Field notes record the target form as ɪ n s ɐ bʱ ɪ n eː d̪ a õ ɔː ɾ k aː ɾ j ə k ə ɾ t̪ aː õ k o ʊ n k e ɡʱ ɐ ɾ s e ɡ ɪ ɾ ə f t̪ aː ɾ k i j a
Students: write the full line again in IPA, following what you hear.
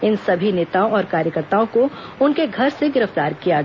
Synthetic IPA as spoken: ɪ n s ɐ bʱ i n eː t̪ a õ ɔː ɾ k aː ɾ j ə k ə ɾ t̪ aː õ k o ʊ n k e ɡʱ ɐ ɾ s e ɡ ɪ ɾ ə f t̪ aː ɾ k i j a

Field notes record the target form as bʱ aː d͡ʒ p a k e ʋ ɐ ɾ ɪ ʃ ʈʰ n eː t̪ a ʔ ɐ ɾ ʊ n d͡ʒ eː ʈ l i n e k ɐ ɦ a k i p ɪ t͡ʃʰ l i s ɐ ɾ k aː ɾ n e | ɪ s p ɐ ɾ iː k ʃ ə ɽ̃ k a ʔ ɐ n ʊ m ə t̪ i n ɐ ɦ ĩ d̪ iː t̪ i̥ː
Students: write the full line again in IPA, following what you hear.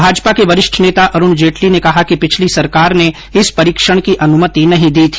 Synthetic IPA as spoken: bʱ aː d͡ʒ p a k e ʋ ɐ ɾ ɪ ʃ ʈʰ n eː t̪ a ʔ ɐ ɾ ʊ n d͡ʒ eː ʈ l i n e k ɐ ɦ a k i p ɪ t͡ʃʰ l i s ɐ ɾ k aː ɾ n e | ɪ s p ɐ ɾ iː k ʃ ə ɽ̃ k i ʔ ɐ n ʊ m ə t̪ i n ɐ ɦ ĩ d̪ iː t̪ʰ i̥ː

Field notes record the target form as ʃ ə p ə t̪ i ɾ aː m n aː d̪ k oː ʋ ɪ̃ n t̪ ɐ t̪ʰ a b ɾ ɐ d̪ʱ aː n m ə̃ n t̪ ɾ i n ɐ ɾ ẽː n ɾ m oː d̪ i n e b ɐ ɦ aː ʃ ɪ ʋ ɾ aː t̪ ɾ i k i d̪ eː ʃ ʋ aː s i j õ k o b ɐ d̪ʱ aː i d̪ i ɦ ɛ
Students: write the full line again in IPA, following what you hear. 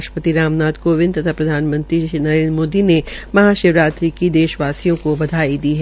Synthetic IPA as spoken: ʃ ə p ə t̪ i ɾ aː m n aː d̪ k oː ʋ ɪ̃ n t̪ ɐ t̪ʰ a p ɾ ɐ d̪ʱ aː n m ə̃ n t̪ ɾ i n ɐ ɾ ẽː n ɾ m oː d̪ i n e m ɐ ɦ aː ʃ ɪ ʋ ɾ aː t̪ ɾ i k i d̪ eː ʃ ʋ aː s i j õ k o b ɐ d̪ʱ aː i d̪ i ɦ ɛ

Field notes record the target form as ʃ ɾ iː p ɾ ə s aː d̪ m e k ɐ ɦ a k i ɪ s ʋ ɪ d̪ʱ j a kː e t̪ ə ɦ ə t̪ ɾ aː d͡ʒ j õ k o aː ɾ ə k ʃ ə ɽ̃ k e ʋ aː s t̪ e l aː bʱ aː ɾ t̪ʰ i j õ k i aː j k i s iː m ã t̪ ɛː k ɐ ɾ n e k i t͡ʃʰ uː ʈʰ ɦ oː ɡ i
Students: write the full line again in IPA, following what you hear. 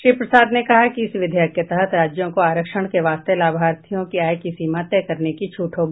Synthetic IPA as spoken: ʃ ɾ iː p ɾ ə s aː d̪ n e k ɐ ɦ a k i ɪ s ʋ ɪ d̪ʱ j a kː e t̪ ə ɦ ə t̪ ɾ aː d͡ʒ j õ k o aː ɾ ə k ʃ ə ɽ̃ k e ʋ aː s t̪ e l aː bʱ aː ɾ t̪ʰ i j õ k i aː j k i s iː m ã t̪ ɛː k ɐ ɾ n e k i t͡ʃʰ uː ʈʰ ɦ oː ɡ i

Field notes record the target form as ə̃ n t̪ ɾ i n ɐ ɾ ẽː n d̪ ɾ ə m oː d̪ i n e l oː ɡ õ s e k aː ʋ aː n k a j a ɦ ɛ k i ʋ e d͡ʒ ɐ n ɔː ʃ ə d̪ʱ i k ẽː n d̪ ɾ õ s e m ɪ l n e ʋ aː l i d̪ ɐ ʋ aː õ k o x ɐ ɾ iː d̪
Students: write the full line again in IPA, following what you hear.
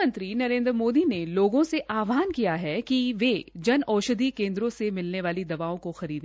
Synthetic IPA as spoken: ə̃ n t̪ ɾ i n ɐ ɾ ẽː n d̪ ɾ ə m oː d̪ i n e l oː ɡ õ s e ʔ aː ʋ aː n k i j a ɦ ɛ k i ʋ e d͡ʒ ɐ n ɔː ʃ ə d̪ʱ i k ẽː n d̪ ɾ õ s e m ɪ l n e ʋ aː l i d̪ ɐ ʋ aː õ k o x ɐ ɾ iː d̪

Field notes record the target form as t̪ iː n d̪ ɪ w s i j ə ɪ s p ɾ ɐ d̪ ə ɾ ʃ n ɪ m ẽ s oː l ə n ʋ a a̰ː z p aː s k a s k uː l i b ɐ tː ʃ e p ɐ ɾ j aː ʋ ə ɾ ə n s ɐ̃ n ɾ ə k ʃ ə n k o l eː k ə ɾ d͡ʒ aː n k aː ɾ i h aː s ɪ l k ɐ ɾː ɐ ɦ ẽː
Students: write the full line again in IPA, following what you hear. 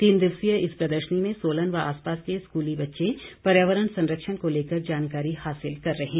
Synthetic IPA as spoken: t̪ iː n d̪ ɪ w s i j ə ɪ s p ɾ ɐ d̪ ə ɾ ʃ n i m ẽ s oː l ə n ʋ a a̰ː s p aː s k e s k uː l i b ɐ tː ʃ e p ɐ ɾ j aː ʋ ə ɾ ə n s ɐ̃ n ɾ ə k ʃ ə n k o l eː k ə ɾ d͡ʒ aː n k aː ɾ i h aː s ɪ l k ɐ ɾː ɐ ɦ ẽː

